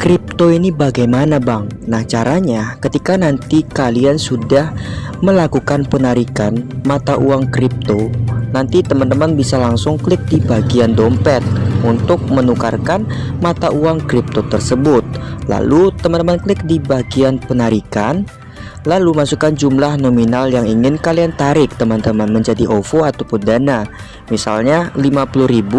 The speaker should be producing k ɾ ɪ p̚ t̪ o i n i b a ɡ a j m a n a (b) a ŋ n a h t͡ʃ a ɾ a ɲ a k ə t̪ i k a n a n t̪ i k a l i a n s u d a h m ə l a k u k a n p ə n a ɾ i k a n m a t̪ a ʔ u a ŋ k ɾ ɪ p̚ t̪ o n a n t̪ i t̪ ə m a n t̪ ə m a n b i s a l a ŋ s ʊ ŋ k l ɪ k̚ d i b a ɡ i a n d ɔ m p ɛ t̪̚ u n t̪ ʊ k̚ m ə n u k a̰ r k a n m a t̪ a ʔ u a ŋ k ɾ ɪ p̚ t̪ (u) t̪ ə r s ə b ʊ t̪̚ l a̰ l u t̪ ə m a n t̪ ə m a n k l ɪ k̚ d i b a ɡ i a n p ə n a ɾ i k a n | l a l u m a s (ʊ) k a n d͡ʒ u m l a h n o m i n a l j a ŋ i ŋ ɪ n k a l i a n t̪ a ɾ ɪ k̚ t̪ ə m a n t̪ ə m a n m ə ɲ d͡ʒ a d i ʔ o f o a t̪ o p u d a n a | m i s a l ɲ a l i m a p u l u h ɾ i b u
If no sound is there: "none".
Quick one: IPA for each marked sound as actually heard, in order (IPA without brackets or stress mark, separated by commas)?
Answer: b, o, u